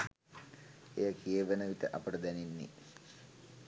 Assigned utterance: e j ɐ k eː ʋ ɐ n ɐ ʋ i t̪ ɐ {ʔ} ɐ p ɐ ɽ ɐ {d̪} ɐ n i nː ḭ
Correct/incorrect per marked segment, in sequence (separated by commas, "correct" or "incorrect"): correct, correct